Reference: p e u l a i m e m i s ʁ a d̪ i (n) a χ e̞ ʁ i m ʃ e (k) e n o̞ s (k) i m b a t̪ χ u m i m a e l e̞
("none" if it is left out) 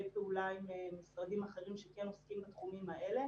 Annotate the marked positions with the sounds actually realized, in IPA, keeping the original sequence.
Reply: m, k, k

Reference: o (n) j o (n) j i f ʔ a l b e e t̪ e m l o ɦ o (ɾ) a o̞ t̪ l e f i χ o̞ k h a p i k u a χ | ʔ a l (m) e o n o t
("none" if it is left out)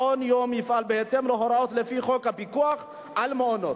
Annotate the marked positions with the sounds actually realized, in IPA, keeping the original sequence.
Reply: n, m, ɾ, m

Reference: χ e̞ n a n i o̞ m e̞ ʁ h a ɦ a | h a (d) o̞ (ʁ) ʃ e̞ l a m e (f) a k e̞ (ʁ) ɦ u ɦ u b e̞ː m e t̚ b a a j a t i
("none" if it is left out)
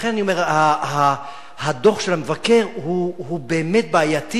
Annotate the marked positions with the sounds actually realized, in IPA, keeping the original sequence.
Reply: d, χ, v, ʁ

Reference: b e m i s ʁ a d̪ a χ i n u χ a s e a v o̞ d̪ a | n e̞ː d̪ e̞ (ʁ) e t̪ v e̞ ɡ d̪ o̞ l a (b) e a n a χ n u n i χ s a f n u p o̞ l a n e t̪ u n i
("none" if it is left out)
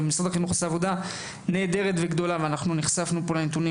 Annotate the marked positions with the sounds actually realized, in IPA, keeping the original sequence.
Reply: ʁ, v

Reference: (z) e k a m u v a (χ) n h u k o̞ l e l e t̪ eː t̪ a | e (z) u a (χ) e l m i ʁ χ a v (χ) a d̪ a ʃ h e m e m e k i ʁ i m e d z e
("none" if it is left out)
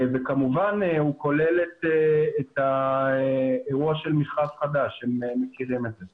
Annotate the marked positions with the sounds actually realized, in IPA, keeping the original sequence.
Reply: v, none, ʁ, ʃ, χ

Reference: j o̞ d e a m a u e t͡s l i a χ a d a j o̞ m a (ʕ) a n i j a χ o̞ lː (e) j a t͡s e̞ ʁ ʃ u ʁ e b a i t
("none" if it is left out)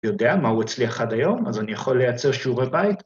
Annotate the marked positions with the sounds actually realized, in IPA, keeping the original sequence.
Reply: z, e

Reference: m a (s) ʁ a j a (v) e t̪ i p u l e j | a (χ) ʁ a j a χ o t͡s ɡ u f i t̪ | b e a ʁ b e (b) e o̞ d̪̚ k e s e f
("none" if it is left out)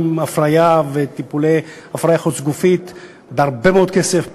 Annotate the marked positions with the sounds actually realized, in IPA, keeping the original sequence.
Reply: f, v, f, m

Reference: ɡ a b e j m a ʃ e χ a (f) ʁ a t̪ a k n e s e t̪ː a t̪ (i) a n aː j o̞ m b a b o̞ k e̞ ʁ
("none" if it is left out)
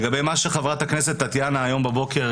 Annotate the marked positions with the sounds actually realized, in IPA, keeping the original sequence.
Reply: v, j

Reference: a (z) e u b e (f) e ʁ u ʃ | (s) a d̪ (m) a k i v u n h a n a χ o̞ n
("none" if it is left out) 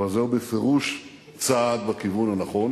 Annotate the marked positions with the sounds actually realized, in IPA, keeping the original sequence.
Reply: z, f, t͡s, b

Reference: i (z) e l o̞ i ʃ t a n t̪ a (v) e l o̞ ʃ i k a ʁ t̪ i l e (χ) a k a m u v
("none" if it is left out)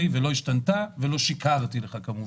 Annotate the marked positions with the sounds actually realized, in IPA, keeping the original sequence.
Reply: v, v, χ

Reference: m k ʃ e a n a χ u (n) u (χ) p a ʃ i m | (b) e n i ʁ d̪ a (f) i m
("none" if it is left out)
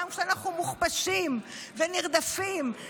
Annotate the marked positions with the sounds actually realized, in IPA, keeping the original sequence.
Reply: m, χ, v, f

